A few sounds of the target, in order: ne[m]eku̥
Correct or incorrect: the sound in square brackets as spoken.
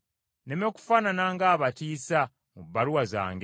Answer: correct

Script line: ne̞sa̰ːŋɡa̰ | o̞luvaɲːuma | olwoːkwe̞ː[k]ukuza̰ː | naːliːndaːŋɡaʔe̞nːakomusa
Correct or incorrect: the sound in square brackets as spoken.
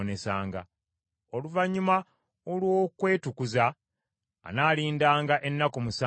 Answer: incorrect: t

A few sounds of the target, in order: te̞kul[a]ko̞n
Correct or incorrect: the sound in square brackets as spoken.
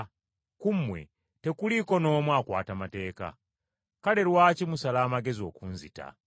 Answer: incorrect: i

